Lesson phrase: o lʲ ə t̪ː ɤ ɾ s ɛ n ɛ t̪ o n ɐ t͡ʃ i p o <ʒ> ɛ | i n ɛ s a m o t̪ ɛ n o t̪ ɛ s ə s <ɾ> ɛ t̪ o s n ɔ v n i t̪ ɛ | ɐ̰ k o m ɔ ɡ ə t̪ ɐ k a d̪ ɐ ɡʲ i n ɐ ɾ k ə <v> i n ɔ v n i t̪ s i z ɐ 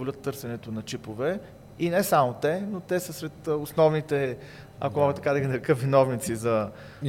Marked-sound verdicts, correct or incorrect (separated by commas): incorrect, correct, correct